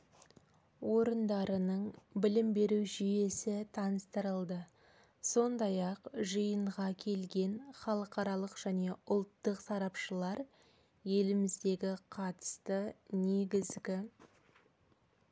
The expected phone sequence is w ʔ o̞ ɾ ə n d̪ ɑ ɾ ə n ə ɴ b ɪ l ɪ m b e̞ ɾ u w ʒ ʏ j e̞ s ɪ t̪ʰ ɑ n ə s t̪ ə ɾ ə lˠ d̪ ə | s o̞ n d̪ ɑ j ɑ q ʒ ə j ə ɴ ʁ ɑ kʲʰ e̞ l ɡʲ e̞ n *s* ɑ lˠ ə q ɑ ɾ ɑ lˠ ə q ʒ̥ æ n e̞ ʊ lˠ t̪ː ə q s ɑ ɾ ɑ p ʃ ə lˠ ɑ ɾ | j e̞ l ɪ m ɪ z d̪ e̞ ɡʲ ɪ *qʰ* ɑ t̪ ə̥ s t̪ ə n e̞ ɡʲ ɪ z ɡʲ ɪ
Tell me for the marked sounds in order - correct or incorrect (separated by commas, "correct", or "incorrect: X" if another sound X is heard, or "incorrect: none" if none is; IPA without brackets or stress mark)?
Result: incorrect: χ, correct